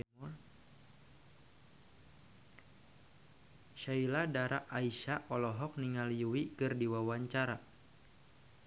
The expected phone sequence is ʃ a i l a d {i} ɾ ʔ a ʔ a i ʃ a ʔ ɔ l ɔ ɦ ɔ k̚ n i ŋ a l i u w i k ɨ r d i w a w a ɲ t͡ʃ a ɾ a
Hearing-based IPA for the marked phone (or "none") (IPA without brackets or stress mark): a